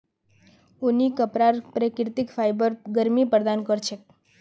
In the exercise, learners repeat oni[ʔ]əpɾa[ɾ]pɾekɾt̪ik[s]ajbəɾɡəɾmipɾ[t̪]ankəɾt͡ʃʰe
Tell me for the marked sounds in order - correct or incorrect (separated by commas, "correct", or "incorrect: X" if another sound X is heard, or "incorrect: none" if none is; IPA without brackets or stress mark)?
incorrect: k, correct, incorrect: f, incorrect: d̪